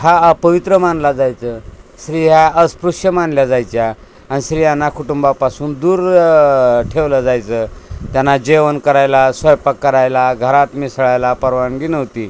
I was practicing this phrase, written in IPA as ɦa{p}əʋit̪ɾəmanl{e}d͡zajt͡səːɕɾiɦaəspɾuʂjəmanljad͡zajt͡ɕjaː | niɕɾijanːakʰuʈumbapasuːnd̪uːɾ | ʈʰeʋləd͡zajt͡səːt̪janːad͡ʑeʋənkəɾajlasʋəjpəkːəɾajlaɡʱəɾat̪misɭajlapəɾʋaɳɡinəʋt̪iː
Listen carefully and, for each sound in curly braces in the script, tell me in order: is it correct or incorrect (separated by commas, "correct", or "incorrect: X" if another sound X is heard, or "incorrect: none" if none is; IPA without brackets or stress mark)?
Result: correct, incorrect: a